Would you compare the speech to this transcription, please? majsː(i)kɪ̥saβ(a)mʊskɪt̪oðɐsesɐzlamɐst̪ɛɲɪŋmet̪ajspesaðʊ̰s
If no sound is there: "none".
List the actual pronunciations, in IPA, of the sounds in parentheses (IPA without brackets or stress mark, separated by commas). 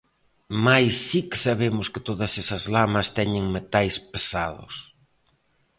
i, e